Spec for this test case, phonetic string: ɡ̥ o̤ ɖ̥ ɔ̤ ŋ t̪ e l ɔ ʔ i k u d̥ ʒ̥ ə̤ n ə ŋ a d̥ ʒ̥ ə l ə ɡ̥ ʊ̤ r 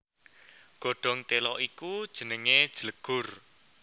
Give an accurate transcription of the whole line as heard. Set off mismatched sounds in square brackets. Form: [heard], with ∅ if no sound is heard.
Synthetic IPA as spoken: ɡ̥ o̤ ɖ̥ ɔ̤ ŋ t̪ e l ɔ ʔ i k u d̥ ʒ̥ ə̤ n ə ŋ [e] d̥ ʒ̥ ə l ə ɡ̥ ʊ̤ r